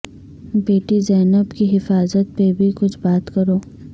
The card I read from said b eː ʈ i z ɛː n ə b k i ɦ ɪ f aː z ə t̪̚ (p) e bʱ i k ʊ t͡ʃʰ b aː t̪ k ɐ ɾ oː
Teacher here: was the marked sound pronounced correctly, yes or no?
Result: yes